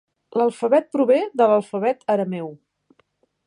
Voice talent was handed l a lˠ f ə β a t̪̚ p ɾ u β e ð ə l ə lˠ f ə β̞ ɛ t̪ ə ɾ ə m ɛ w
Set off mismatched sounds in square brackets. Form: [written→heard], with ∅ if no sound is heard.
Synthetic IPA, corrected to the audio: l [a→ə] lˠ f ə β [a→ɛ] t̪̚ p ɾ u β e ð ə l ə lˠ f ə β̞ ɛ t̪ ə ɾ ə m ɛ w

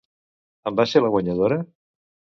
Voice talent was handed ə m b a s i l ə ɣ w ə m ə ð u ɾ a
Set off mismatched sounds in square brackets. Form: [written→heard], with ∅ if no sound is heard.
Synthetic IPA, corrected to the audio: ə m b a s [i→e] l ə ɣ w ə [m→ɲ] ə ð [u→o] ɾ [a→ə]

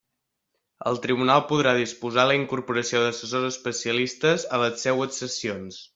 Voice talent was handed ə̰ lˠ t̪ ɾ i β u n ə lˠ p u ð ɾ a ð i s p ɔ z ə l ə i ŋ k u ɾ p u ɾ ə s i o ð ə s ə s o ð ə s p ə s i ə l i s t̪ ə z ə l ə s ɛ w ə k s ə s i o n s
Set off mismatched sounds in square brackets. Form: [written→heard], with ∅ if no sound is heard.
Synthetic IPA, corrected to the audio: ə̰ lˠ t̪ ɾ i β u n [ə→a] lˠ p u ð ɾ a ð i s p [ɔ→u] z [ə→a] l ə i ŋ k u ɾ p u ɾ ə s i o ð ə s ə s o [ð→z] ə s p ə s i ə l i s t̪ ə z ə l ə s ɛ w ə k s ə s i o n s

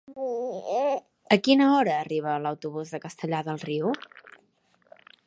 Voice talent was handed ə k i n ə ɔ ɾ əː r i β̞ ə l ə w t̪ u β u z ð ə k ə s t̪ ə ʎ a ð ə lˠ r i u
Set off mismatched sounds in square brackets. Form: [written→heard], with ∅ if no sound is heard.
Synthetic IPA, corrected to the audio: ə k i n ə ɔ ɾ əː r i β̞ ə l ə w t̪ u β u z ð ə k ə s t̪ ə ʎ a ð ə lˠ r i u

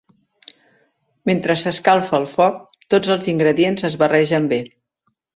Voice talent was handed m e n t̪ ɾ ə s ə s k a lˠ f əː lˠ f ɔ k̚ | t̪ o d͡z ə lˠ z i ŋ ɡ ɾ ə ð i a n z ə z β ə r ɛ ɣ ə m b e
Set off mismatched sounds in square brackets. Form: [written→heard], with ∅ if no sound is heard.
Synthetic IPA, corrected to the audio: m e n t̪ ɾ ə s ə s k a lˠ f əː lˠ f ɔ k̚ | t̪ o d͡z ə lˠ z i ŋ ɡ ɾ ə ð i [a→e] n z ə z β ə r ɛ [ɣ→ʒ] ə m b e

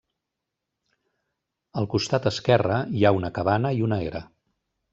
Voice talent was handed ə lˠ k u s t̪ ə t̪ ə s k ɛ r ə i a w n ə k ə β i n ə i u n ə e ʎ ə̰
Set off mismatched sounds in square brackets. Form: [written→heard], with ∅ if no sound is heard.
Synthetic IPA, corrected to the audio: ə lˠ k u s t̪ [ə→a] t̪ ə s k ɛ r ə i a [w→u] n ə k ə β [i→a] n ə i u n ə e [ʎ→ɾ] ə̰

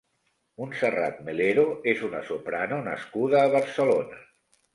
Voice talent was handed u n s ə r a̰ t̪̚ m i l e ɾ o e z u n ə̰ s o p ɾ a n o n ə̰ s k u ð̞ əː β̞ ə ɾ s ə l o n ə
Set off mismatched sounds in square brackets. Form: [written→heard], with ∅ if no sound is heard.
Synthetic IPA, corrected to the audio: u n s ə r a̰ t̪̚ m [i→e] l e ɾ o e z u n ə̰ s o p ɾ a n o n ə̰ s k u ð̞ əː β̞ ə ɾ s ə l o n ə

